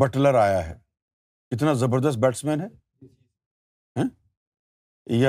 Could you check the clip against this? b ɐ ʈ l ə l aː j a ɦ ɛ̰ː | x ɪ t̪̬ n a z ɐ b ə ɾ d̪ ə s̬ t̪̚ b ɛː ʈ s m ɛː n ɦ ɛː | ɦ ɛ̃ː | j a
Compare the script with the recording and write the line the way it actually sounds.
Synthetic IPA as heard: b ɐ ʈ l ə ɾ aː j a ɦ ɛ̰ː | k ɪ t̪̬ n a z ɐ b ə ɾ d̪ ə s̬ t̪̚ b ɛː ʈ s m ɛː n ɦ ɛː | ɦ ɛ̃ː | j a